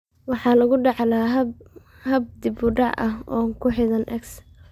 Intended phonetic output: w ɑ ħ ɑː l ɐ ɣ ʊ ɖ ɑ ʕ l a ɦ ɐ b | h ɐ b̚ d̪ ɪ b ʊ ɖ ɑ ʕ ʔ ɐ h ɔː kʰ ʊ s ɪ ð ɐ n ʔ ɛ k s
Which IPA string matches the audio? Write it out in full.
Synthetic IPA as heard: w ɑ ħ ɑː l ɐ ɣ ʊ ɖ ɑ ʕ l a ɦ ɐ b | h ɐ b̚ d̪ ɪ b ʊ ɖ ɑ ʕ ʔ ɐ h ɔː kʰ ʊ ħ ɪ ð ɐ n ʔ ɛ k s